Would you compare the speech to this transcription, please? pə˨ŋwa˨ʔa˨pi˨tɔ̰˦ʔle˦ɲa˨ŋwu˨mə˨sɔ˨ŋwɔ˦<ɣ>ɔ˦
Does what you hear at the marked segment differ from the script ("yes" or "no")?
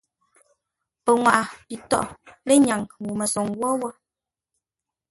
yes